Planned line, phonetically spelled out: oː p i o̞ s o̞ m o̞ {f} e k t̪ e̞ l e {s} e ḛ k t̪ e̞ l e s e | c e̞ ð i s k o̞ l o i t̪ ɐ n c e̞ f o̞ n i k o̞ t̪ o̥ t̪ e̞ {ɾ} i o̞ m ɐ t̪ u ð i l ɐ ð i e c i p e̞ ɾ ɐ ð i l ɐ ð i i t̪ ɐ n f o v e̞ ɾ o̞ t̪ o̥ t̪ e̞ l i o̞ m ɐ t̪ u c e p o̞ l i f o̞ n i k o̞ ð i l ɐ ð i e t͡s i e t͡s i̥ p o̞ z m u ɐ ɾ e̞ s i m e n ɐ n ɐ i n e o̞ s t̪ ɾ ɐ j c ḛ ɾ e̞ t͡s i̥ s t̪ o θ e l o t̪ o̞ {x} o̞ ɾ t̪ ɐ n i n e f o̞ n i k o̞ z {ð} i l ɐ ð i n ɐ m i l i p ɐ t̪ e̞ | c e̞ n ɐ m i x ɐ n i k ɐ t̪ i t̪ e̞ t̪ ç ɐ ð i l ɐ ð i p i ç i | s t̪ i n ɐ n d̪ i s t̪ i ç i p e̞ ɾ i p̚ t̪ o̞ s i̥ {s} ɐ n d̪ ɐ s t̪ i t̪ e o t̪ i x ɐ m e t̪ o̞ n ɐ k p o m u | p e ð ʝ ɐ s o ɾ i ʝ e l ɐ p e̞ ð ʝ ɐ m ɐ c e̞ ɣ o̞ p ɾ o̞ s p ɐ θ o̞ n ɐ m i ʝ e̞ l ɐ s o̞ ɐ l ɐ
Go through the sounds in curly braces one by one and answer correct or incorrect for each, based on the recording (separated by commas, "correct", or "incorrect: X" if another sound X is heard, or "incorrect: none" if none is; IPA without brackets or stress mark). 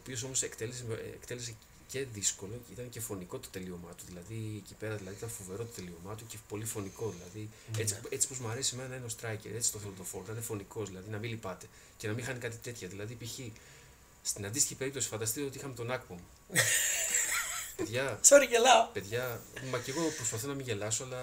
incorrect: s, correct, incorrect: l, incorrect: f, correct, incorrect: f